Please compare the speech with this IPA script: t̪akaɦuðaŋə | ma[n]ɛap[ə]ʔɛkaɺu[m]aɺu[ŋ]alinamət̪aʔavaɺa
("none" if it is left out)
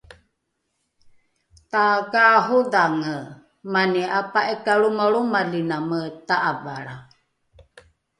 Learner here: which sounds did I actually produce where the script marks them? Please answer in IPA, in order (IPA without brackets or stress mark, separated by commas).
n, a, m, m